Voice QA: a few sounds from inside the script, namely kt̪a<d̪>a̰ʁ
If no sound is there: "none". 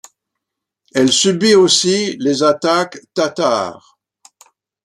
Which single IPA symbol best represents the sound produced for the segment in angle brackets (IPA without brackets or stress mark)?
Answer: t̪